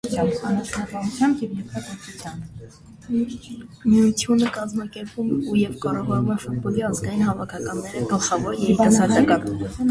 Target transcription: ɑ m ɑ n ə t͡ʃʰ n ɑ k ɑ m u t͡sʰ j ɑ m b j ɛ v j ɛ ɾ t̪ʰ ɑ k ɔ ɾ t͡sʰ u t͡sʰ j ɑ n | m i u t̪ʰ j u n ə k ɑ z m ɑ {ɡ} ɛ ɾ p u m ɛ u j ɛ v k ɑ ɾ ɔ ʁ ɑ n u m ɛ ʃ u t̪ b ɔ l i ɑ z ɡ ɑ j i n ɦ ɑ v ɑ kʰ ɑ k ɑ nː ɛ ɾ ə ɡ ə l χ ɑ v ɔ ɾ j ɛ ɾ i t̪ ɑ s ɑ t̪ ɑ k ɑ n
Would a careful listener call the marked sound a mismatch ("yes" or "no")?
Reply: yes